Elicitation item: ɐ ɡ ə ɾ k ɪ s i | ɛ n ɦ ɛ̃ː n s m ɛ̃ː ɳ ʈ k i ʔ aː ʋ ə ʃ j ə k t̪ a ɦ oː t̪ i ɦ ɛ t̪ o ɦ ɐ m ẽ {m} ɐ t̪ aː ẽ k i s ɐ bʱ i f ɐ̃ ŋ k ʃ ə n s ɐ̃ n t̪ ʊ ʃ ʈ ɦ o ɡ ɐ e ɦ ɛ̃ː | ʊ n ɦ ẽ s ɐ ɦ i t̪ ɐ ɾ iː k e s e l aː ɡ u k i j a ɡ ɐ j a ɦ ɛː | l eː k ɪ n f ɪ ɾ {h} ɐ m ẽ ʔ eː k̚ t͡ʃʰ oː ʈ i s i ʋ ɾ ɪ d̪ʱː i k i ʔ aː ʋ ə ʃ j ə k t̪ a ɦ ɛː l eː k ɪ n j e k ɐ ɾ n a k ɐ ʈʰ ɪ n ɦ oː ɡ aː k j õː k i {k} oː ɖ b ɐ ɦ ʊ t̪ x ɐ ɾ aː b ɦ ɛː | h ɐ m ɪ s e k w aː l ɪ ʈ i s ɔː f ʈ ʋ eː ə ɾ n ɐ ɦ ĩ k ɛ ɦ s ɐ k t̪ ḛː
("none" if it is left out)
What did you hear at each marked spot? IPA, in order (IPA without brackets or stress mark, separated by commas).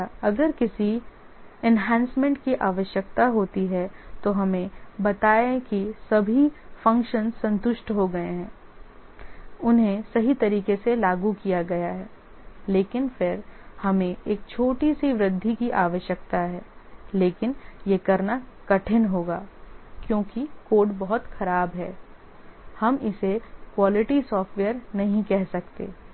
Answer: b, h, k